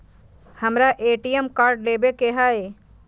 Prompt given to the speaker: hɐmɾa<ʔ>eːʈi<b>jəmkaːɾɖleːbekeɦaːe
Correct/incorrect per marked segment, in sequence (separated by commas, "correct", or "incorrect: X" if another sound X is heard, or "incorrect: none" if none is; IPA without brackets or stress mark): correct, incorrect: none